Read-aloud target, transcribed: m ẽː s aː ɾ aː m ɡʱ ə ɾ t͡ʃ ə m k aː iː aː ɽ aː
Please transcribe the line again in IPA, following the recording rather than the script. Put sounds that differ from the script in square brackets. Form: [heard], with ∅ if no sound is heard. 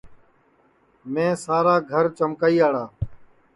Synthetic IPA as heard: m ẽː s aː ɾ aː [∅] ɡʱ ə ɾ t͡ʃ ə m k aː iː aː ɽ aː